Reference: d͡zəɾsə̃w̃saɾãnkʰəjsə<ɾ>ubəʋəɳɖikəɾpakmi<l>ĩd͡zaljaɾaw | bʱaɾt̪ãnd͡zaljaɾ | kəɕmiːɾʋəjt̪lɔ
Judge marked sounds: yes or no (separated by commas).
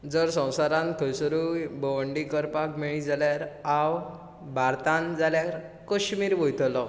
yes, no